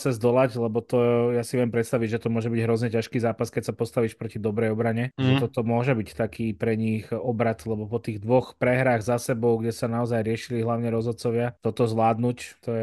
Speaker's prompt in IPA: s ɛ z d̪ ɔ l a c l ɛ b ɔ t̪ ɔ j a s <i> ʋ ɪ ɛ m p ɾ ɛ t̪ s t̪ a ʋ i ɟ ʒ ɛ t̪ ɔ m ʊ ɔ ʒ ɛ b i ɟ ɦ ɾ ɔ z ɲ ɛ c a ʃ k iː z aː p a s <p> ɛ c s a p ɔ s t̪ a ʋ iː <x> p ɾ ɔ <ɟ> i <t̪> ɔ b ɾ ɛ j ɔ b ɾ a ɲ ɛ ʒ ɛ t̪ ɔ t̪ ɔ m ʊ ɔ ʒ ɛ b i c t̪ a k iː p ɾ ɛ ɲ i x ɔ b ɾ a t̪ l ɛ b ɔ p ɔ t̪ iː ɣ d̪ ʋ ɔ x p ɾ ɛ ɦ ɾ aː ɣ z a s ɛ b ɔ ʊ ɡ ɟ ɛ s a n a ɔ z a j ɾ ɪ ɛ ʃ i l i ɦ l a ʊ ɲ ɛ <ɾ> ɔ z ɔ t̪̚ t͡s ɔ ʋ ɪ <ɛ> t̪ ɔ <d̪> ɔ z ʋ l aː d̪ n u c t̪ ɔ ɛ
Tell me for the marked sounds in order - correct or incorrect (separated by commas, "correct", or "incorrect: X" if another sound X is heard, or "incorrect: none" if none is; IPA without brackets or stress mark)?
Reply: correct, incorrect: k, incorrect: ʃ, incorrect: c, incorrect: d̪, correct, incorrect: a, incorrect: t̪